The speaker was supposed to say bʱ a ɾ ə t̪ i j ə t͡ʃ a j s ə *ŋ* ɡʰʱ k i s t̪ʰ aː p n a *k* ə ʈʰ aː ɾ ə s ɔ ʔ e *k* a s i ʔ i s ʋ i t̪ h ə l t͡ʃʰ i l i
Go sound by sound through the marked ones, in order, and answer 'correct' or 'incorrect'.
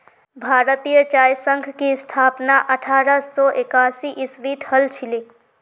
correct, incorrect, correct

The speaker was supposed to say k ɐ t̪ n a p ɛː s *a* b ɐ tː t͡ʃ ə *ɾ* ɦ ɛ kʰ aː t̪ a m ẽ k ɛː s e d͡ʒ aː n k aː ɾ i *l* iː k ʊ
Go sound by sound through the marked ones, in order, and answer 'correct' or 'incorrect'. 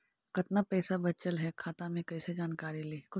correct, incorrect, correct

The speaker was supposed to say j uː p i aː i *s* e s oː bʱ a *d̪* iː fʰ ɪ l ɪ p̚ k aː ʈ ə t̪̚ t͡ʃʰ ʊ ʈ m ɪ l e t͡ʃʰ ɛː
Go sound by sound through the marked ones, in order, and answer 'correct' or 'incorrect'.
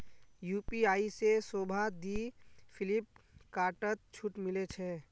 correct, correct

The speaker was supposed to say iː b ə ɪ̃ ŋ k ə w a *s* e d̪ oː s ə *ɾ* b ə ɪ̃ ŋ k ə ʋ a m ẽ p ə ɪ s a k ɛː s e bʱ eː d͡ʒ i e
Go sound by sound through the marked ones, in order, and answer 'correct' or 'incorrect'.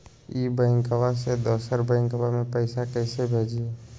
correct, correct

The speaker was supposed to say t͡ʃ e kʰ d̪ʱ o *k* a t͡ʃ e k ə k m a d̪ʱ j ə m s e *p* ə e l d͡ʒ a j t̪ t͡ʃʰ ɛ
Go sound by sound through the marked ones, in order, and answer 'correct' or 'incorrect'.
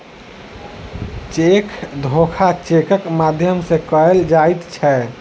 incorrect, incorrect

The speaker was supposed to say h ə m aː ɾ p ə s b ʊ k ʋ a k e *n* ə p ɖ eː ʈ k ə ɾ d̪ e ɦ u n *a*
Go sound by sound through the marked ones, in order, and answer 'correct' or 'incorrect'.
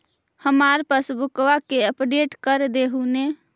incorrect, incorrect

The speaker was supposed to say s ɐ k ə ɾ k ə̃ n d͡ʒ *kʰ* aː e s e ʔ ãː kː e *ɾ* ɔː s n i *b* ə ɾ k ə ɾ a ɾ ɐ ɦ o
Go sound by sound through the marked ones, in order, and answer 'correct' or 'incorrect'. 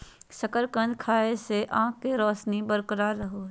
correct, correct, correct

